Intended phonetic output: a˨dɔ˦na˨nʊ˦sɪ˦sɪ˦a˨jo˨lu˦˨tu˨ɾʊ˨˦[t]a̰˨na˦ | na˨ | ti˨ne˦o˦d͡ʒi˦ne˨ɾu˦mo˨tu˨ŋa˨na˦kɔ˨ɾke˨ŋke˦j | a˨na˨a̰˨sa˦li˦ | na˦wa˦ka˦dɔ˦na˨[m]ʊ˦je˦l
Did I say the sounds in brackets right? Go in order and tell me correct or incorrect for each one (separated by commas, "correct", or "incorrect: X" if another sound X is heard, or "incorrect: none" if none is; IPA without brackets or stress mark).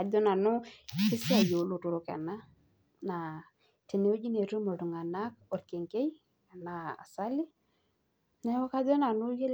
incorrect: k, incorrect: n